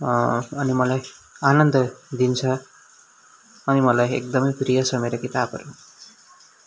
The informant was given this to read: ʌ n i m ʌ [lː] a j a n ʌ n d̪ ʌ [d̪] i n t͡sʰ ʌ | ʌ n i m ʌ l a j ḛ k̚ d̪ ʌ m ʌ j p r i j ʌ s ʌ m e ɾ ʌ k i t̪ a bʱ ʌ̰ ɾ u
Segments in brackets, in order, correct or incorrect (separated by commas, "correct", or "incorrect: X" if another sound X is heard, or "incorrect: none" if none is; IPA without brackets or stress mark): incorrect: l, correct